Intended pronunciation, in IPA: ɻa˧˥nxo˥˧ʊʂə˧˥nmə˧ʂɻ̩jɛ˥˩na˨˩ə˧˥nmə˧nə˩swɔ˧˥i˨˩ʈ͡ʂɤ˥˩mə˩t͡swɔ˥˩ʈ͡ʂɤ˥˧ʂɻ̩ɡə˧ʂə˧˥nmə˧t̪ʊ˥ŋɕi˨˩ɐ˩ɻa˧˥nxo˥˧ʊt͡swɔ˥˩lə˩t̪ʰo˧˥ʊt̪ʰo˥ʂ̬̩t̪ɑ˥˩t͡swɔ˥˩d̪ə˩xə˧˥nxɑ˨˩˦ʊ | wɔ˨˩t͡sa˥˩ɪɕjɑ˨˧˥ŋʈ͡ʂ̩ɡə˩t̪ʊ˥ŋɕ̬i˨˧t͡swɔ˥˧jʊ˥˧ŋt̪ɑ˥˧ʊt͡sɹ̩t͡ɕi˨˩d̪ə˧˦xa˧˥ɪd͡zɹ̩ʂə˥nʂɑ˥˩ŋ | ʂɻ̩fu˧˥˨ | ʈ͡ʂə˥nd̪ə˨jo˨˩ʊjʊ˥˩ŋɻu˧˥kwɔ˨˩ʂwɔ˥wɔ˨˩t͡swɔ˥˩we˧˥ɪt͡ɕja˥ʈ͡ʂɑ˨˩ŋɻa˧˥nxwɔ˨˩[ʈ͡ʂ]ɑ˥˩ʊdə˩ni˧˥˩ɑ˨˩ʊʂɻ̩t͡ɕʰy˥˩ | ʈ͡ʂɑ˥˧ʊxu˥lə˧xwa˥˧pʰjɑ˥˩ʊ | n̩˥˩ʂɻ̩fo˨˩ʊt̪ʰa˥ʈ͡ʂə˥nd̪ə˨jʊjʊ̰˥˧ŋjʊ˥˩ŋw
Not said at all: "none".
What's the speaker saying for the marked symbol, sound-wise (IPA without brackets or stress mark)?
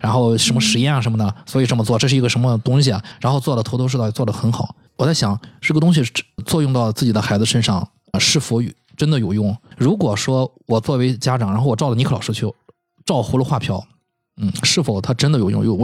ʈ͡ʂ